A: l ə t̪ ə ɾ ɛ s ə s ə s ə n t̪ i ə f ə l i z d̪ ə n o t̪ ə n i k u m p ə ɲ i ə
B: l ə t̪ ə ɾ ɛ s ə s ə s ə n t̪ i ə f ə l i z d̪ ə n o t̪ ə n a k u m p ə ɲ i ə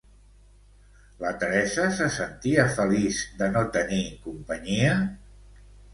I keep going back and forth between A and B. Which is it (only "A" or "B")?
A